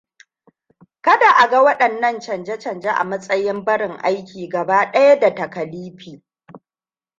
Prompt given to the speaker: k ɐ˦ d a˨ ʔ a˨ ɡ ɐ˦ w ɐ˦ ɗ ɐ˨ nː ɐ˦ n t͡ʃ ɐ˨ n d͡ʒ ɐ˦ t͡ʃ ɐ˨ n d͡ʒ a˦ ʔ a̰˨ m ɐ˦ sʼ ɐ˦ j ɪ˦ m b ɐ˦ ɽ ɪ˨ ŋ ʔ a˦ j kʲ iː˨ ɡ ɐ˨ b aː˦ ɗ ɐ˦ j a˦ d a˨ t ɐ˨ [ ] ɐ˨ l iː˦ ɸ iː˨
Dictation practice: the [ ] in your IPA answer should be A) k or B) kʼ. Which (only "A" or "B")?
A